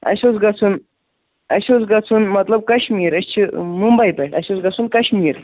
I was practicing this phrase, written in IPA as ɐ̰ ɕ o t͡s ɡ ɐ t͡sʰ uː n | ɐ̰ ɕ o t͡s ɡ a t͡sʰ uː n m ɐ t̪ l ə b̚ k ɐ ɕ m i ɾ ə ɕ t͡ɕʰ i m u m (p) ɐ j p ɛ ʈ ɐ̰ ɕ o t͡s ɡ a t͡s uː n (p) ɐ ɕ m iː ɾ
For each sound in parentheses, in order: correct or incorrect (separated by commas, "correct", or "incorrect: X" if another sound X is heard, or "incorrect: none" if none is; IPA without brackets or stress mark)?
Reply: incorrect: b, incorrect: k